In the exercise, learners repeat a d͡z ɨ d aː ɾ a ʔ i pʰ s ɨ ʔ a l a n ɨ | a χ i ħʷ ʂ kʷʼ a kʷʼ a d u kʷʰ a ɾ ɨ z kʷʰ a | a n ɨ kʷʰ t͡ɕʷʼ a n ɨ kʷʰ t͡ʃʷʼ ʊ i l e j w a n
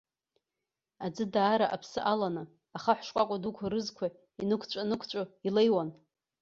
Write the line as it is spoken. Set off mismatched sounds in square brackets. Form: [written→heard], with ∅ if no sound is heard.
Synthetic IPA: a d͡z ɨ d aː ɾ a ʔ [i→a] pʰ s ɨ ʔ a l a n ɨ | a χ [i→a] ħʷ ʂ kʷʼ a kʷʼ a d u kʷʰ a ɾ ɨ z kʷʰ a | [a→i] n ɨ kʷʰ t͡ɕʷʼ a n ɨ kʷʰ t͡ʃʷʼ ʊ i l e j w a n